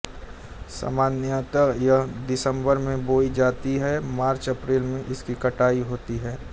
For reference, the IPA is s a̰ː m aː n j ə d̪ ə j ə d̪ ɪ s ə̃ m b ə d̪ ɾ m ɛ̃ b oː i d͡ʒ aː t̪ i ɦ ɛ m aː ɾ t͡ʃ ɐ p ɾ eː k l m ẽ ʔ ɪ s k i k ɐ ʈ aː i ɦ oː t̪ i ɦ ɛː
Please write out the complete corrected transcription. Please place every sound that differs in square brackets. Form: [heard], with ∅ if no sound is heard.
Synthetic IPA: s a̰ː m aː n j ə [t̪] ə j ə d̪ ɪ s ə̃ m b ə [∅] ɾ m [ẽ] b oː i d͡ʒ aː t̪ i ɦ ɛ m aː ɾ t͡ʃ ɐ p ɾ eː [∅] l m ẽ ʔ ɪ s k i k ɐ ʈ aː i ɦ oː t̪ i ɦ ɛː